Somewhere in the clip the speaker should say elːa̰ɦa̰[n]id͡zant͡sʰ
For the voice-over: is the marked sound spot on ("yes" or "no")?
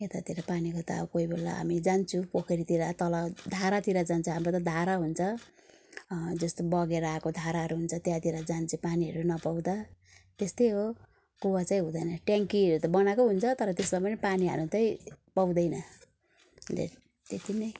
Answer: no